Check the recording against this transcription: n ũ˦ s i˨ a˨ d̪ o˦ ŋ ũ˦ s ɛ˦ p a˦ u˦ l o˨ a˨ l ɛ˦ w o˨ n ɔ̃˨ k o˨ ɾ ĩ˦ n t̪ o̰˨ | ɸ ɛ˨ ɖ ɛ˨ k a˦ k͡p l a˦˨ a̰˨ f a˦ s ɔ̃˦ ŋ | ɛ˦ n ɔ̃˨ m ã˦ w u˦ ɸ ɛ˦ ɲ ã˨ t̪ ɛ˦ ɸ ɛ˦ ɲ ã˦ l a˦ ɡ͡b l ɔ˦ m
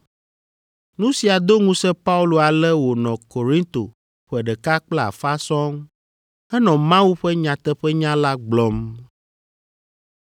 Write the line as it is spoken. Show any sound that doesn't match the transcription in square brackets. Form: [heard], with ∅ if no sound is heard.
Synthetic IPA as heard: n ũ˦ s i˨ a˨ d̪ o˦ ŋ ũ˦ s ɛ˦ p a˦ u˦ l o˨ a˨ l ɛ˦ w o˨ n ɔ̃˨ k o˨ ɾ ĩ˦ n t̪ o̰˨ | ɸ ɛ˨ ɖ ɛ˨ k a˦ k͡p l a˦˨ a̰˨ f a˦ s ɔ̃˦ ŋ | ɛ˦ n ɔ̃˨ m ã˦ w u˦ ɸ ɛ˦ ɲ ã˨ t̪ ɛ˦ ɸ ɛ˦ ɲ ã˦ l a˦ ɡ͡b l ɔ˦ m